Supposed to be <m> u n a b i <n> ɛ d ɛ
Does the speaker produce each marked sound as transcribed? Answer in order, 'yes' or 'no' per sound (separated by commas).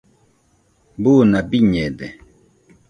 no, no